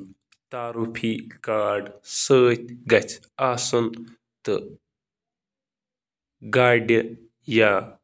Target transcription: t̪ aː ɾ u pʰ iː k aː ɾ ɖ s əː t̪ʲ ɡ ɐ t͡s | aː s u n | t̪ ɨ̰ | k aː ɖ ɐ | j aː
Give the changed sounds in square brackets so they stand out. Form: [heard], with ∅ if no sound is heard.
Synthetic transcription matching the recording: t̪ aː ɾ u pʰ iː k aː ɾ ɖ s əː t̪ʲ ɡ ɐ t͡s | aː s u n | t̪ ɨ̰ | [ɡ] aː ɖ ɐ | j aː